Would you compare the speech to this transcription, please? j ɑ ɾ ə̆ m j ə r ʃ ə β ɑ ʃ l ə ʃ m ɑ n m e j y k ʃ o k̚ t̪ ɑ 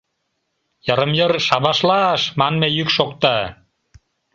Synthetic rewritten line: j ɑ ɾ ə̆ m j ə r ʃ ɑ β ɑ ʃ l ɑ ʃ m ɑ n m e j y k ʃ o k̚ t̪ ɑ